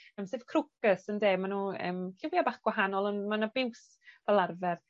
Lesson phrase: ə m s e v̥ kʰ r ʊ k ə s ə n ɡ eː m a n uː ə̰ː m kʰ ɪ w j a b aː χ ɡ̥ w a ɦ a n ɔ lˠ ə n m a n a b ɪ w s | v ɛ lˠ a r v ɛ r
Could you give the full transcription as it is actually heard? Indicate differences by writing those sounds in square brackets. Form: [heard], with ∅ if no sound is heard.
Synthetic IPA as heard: ə m s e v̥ kʰ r ʊ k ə s ə n [d] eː m a n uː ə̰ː m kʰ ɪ w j a b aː χ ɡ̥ w a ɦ a n ɔ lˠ ə n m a n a b ɪ w s | v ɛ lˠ a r v ɛ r